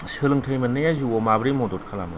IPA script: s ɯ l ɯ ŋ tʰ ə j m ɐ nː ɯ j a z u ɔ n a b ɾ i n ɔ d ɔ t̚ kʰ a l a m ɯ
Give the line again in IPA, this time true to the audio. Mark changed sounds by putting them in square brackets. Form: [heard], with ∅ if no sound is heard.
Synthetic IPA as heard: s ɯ l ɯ ŋ tʰ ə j m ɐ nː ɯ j a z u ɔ [m] a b ɾ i [m] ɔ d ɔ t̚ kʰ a l a m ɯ